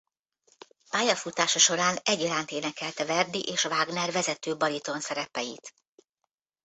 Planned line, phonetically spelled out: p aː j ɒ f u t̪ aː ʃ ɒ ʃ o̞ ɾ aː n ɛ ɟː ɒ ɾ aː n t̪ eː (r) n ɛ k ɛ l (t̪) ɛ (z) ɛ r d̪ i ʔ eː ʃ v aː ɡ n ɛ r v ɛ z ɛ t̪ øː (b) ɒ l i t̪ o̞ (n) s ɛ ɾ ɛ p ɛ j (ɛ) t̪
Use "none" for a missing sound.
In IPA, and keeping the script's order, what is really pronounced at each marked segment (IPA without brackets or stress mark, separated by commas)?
none, t̪, v, b, n, i